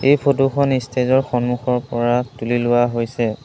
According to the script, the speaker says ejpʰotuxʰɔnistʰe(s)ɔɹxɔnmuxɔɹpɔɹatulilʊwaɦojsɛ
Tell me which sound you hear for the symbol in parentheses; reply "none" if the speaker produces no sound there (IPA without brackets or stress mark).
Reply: z